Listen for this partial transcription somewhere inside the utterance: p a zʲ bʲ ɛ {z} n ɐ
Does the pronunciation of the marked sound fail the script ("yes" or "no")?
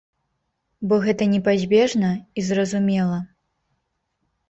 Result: yes